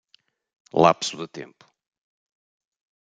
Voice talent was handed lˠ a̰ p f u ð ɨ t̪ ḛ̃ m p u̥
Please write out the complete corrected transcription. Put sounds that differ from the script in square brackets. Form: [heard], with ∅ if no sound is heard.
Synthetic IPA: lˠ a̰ p [s] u ð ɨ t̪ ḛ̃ m p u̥